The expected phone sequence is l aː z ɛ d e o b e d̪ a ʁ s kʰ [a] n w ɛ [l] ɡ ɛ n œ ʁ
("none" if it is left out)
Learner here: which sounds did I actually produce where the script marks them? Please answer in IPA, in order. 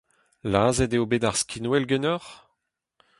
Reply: i, l

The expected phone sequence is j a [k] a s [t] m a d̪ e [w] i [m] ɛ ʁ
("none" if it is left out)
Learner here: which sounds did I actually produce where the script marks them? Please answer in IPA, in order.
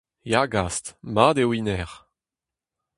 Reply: ɡ, t, w, n

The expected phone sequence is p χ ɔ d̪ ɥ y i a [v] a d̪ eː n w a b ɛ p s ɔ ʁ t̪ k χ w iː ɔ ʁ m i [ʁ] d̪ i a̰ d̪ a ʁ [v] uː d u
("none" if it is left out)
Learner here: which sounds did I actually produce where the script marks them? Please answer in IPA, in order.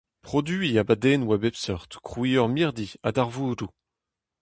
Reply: b, ʁ, v

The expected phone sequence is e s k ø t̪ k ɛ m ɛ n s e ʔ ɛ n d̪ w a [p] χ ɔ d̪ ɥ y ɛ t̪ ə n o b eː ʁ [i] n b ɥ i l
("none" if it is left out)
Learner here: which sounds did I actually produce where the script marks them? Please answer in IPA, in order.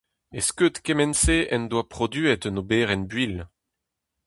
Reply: p, ɛ

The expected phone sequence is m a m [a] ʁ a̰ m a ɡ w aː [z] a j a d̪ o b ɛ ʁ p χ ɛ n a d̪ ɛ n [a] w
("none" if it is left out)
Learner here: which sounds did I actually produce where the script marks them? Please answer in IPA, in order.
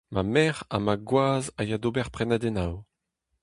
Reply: ɛ, z, a

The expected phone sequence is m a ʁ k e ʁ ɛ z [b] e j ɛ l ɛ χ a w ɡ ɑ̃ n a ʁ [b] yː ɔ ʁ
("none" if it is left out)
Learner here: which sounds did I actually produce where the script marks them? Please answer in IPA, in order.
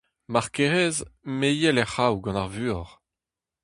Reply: m, v

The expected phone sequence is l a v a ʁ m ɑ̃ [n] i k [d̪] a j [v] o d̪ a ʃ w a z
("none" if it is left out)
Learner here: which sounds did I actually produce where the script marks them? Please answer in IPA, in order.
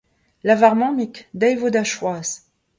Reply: m, d̪, v

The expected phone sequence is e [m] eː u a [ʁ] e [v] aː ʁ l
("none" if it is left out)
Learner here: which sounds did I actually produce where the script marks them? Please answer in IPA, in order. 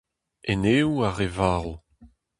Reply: n, ʁ, v

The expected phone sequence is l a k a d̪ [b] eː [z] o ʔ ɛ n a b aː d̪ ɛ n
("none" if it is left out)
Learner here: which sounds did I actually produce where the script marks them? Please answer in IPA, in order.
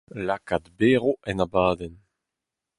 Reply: b, ʁ

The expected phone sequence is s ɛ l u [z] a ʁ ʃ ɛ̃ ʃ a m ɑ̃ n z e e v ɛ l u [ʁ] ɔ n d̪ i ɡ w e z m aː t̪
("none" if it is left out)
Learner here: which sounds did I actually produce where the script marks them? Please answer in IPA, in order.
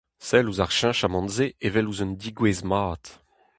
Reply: z, z

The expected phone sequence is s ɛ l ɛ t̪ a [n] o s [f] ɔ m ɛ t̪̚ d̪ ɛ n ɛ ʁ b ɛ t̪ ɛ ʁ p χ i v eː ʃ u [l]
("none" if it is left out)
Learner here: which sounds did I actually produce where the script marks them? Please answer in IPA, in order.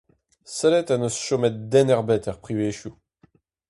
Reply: n, ʃ, none

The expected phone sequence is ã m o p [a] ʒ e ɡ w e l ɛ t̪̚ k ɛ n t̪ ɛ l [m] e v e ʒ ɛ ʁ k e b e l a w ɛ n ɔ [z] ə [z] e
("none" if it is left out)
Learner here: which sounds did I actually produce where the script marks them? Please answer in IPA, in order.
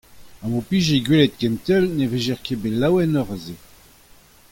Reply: i, n, ʁ, z

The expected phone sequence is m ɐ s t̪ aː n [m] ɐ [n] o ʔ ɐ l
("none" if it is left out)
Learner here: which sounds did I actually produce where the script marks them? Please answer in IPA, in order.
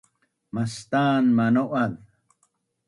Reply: m, n

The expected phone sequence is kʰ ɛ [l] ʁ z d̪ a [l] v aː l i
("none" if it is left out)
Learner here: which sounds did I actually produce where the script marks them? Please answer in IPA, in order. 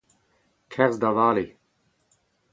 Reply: none, none

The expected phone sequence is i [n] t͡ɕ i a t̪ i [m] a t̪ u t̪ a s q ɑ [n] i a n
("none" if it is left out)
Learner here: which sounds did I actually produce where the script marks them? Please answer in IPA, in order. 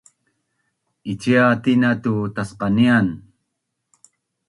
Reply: none, n, n

